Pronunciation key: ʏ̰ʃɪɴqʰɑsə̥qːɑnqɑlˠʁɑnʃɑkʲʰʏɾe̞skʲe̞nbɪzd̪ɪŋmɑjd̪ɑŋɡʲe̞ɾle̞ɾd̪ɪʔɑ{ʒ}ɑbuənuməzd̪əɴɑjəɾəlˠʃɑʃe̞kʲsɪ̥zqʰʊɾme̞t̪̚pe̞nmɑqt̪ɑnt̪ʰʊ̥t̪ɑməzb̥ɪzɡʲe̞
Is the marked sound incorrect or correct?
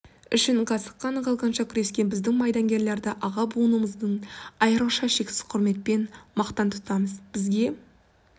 incorrect